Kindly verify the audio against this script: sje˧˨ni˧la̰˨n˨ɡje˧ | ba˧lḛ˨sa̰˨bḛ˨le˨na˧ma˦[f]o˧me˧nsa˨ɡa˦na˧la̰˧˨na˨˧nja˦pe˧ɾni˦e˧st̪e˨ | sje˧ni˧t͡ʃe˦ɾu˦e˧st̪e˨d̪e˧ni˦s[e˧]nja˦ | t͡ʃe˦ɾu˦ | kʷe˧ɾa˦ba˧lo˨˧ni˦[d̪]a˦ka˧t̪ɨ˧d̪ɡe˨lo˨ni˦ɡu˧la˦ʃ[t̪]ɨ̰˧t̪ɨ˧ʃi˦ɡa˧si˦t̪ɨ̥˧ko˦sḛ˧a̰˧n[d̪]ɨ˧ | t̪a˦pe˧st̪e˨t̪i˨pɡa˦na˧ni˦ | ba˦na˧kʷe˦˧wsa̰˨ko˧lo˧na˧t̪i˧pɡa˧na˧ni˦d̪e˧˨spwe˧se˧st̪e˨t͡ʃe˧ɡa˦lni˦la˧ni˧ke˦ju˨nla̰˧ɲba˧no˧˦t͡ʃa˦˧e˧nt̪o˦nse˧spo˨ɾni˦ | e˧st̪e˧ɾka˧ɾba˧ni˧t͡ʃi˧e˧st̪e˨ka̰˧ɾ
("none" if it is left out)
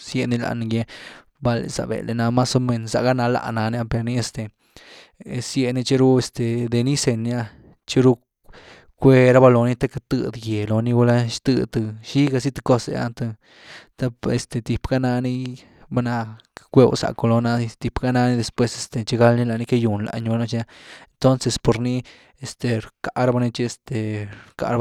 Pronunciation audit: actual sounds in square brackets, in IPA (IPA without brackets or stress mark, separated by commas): s, e˧, t̪, t̪, t̪